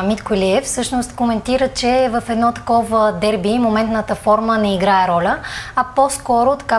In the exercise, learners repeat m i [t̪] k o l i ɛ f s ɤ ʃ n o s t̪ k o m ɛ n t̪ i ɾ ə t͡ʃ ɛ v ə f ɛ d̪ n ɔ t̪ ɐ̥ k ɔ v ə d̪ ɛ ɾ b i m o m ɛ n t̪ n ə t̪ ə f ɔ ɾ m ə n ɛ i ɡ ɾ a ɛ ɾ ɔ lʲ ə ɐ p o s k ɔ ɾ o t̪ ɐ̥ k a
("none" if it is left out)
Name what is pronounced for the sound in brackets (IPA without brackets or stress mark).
t̪